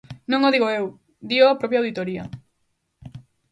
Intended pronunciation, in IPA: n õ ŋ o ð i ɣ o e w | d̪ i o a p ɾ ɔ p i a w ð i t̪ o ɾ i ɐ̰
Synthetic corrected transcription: n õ ŋ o ð i ɣ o e w | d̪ i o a p ɾ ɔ p j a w ð i t̪ o ɾ i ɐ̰